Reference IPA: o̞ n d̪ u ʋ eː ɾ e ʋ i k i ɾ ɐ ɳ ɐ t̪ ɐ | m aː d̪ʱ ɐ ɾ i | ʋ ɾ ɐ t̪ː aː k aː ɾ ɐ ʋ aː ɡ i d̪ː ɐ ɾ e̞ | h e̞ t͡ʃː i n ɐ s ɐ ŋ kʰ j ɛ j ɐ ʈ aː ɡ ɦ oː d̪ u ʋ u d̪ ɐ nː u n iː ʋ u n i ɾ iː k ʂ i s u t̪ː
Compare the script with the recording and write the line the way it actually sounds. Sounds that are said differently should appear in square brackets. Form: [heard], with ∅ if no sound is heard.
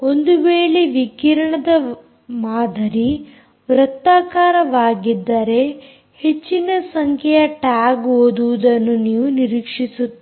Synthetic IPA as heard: o̞ n d̪ u ʋ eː [ɭ] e ʋ i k i ɾ ɐ ɳ ɐ [d̪] ɐ | m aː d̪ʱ ɐ ɾ i | ʋ ɾ ɐ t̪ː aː k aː ɾ ɐ ʋ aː ɡ i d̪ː ɐ ɾ e̞ | h e̞ t͡ʃː i n ɐ s ɐ ŋ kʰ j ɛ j ɐ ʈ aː ɡ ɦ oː d̪ u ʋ u d̪ ɐ nː u n iː ʋ u n i ɾ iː k ʂ i s u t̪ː